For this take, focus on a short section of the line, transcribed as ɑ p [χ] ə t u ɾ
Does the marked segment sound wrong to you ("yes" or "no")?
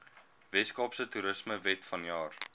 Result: yes